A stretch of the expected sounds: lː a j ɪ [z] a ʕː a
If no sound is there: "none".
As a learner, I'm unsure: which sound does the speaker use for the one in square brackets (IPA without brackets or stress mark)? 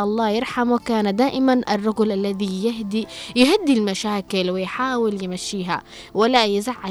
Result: z